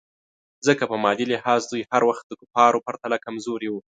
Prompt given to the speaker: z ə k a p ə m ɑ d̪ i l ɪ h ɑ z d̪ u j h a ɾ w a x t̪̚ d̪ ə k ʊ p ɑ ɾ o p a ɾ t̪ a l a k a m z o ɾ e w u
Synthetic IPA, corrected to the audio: z ə k a p ə m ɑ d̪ i l ɪ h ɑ z d̪ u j h a ɾ w a x t̪̚ d̪ ə k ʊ p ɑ ɾ o p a ɾ t̪ a l a k a m z o ɾ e w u